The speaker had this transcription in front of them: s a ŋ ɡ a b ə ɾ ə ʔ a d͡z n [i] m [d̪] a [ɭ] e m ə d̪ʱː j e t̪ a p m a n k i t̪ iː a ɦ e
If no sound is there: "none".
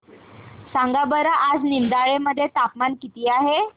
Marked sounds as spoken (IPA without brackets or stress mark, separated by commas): i, d̪, ɭ